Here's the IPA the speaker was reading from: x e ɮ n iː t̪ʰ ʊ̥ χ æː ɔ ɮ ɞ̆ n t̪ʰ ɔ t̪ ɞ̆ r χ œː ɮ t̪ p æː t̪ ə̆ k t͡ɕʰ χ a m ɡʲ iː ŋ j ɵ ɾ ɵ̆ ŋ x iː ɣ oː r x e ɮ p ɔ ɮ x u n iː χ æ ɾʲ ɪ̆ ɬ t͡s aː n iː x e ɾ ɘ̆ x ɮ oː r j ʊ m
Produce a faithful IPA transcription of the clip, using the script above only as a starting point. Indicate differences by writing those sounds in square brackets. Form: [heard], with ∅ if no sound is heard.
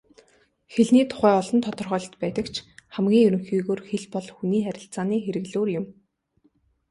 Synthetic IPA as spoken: x e ɮ n iː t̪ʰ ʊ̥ χ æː ɔ ɮ ɞ̆ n t̪ʰ ɔ t̪ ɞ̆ r χ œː ɮ t̪ p æː t̪ ə̆ k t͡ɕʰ χ [æ] m ɡʲ iː ŋ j ɵ ɾ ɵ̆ ŋ x iː ɣ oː r x e ɮ p ɔ ɮ x u n iː χ æ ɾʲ ɪ̆ ɬ t͡s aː n iː x e ɾ ɘ̆ [ɣ] ɮ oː r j ʊ m